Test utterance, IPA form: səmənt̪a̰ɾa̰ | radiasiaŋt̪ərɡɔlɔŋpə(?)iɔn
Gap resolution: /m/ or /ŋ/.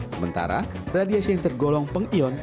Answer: ŋ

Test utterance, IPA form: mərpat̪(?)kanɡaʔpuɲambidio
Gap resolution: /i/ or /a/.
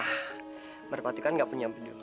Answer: i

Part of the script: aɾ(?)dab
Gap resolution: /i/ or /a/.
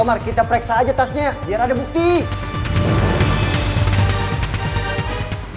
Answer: a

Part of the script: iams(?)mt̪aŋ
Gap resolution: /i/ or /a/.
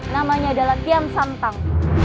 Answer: a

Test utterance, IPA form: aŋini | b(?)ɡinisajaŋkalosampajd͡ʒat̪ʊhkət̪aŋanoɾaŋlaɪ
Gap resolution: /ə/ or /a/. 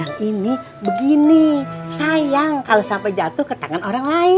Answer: ə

